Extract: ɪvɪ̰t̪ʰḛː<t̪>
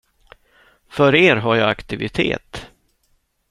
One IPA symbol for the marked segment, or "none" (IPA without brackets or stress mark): t̪